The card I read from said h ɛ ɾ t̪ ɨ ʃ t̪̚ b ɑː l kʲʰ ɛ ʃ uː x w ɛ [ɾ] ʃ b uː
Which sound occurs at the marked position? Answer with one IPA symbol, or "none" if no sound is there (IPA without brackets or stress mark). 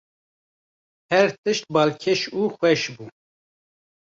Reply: none